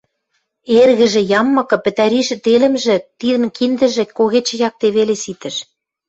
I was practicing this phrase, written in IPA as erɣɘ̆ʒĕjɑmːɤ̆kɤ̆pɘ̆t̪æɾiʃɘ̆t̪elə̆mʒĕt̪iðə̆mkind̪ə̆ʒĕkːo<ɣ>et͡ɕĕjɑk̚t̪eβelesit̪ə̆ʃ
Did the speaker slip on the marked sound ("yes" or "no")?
no